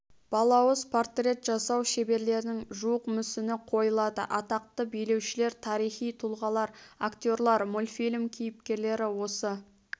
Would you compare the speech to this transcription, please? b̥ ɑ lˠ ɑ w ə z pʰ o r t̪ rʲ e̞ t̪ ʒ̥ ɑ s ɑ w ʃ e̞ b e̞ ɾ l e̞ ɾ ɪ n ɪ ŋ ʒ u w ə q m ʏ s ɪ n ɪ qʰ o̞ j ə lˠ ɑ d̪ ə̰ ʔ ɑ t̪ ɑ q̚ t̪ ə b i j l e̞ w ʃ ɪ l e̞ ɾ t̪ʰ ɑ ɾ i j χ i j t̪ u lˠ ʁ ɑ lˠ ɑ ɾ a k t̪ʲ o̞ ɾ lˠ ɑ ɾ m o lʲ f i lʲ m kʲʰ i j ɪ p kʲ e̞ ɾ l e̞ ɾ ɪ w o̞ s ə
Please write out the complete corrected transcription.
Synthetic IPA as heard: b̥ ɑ lˠ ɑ w ə z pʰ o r t̪ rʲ e̞ t̪ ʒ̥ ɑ s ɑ w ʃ e̞ b e̞ ɾ l e̞ ɾ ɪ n ɪ ŋ ʒ u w ə q m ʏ s ɪ n ɪ qʰ o̞ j ə lˠ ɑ d̪ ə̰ ʔ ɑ t̪ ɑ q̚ t̪ ə b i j l e̞ w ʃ ɪ l e̞ ɾ t̪ʰ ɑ ɾ i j χ i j t̪ʰ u lˠ ʁ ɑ lˠ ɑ ɾ a k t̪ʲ o̞ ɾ lˠ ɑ ɾ m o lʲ f i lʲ m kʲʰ i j ɪ p kʲ e̞ ɾ l e̞ ɾ ɪ w o̞ s ə

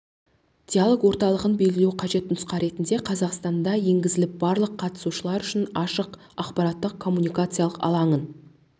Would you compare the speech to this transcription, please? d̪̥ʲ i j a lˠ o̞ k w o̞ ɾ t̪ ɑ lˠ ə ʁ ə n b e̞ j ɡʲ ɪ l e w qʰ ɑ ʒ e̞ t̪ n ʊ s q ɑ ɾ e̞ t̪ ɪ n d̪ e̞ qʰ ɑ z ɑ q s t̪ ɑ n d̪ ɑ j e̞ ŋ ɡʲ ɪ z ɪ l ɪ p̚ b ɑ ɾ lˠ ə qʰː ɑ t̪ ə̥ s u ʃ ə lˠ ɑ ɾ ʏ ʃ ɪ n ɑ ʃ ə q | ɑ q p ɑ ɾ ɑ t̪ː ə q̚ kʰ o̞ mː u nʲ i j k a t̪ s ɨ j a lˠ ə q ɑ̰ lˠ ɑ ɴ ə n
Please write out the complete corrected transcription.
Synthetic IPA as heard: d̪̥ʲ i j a lˠ o̞ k w o̞ ɾ t̪ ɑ lˠ ə ʁ ə n b e̞ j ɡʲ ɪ l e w qʰ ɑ ʒ e̞ t̪ n ʊ s q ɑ ɾ e̞ t̪ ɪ n d̪ e̞ qʰ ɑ z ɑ q s t̪ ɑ n d̪ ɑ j e̞ ŋ ɡʲ ɪ z ɪ l ɪ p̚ b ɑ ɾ lˠ ə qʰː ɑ t̪ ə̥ s u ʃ ə lˠ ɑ ɾ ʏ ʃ ɪ n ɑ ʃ ə q | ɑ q p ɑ ɾ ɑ t̪ː ə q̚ kʰ o̞ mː u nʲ i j k a t̪ s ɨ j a lˠ ə q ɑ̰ lˠ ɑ ɴ ə n

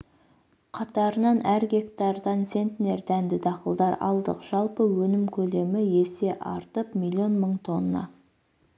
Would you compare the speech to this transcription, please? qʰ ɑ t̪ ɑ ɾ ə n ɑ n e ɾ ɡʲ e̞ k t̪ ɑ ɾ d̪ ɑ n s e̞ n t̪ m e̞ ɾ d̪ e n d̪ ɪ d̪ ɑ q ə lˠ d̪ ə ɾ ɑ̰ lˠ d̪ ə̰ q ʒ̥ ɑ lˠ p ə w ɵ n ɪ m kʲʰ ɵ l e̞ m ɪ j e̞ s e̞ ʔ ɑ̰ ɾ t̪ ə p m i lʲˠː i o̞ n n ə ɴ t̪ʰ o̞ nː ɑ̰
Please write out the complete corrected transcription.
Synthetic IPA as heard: qʰ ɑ t̪ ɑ ɾ ə n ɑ n æ ɾ ɡʲ e̞ k t̪ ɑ ɾ d̪ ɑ n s e̞ n t̪ n e̞ ɾ d̪ æ n d̪ ɪ d̪ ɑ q ə lˠ d̪ ɑ ɾ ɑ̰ lˠ d̪ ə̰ q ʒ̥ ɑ lˠ p ə w ɵ n ɪ m kʲʰ ɵ l e̞ m ɪ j e̞ s e̞ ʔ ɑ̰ ɾ t̪ ə p m i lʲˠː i o̞ n m ə ɴ t̪ʰ o̞ nː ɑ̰

